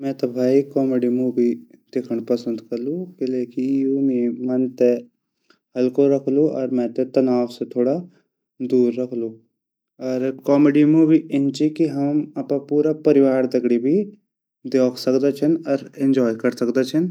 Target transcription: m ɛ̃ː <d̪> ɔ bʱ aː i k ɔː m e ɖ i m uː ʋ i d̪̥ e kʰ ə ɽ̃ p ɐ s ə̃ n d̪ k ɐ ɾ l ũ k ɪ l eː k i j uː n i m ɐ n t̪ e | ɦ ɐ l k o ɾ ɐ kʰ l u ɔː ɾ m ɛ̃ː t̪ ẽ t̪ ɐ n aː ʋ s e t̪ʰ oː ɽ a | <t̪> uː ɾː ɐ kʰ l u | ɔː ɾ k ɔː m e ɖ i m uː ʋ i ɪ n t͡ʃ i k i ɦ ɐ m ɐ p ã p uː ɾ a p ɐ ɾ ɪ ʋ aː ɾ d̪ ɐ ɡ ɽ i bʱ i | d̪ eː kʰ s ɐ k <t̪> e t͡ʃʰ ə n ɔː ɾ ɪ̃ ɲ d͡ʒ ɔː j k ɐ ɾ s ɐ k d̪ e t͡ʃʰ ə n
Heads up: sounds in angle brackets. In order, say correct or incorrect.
incorrect, incorrect, incorrect

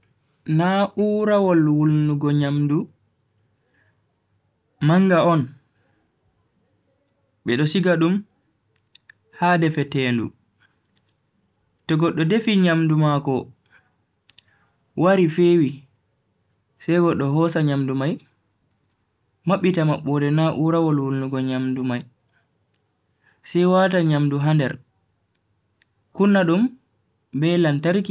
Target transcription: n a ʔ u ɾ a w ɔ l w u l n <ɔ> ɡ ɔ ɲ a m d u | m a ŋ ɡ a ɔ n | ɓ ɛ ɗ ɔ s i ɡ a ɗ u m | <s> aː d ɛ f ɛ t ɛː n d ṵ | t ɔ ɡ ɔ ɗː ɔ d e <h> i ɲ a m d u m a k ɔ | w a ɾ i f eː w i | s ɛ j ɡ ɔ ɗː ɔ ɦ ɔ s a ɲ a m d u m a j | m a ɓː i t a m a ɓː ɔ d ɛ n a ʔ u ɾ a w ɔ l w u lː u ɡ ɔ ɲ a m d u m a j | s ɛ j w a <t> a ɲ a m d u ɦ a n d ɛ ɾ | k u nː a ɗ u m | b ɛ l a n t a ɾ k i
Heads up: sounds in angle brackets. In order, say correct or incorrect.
incorrect, incorrect, incorrect, correct

